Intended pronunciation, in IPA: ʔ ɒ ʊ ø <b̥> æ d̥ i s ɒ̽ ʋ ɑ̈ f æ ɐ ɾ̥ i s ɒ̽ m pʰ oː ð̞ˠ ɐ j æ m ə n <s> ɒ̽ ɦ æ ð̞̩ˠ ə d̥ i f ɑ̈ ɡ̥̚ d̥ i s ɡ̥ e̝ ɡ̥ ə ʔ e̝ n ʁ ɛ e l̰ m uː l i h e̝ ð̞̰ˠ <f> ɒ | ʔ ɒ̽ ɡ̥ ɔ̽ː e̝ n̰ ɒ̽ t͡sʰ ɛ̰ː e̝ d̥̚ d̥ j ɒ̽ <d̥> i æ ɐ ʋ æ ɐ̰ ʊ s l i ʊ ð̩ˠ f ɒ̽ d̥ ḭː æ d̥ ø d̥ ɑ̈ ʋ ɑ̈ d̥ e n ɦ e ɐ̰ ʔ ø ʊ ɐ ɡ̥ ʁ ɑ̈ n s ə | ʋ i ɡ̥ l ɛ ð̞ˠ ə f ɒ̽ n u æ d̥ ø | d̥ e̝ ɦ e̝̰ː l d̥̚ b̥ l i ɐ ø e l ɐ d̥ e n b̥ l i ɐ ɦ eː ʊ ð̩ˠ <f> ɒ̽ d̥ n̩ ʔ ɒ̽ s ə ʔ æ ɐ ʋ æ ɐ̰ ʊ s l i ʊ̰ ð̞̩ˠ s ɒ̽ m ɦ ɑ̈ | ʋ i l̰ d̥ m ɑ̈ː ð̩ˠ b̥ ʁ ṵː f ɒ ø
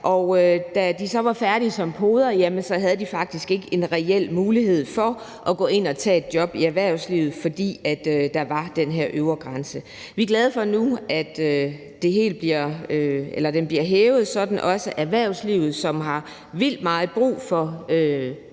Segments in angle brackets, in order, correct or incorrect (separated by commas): incorrect, correct, correct, incorrect, incorrect